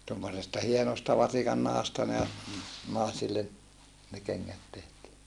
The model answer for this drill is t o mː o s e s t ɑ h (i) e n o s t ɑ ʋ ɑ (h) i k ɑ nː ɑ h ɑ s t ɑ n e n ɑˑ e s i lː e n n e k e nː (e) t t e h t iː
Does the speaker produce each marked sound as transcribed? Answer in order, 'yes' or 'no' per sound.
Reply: yes, no, no

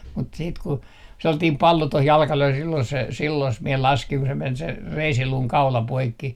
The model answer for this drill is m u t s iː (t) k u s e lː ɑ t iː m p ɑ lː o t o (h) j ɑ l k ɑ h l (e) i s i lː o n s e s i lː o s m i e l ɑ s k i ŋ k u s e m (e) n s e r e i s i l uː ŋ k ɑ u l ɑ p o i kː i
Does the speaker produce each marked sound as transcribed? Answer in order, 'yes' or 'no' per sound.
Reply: yes, yes, no, yes

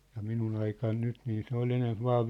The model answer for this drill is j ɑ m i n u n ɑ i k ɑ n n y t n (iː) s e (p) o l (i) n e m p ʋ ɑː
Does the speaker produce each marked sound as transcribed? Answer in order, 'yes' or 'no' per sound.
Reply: yes, no, no

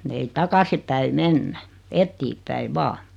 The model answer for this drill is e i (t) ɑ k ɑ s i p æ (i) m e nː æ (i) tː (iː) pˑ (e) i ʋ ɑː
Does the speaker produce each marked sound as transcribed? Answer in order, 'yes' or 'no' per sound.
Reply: yes, yes, no, yes, no

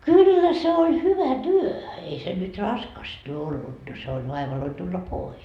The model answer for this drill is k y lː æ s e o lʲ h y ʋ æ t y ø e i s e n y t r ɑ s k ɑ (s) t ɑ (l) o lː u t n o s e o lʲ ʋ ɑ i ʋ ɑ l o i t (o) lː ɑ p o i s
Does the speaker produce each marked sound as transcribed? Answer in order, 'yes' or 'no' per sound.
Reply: yes, no, no

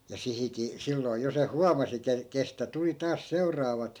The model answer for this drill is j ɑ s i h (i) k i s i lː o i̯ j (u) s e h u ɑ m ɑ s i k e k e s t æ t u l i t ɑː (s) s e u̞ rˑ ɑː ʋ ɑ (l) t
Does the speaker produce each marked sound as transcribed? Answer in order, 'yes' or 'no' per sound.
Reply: yes, no, yes, no

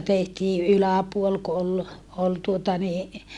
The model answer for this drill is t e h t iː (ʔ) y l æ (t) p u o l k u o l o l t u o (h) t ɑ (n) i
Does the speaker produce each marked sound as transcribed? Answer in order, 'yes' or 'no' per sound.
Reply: yes, no, no, yes

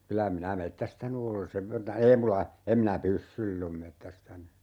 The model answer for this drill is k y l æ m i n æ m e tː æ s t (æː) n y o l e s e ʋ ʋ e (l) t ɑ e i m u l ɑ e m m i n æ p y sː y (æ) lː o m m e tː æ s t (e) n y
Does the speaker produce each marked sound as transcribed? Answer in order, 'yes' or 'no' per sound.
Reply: no, no, no, no

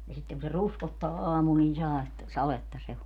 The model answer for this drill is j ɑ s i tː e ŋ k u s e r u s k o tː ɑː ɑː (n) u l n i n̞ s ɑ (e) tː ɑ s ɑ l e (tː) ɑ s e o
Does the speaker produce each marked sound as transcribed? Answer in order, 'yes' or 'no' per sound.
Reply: no, yes, yes

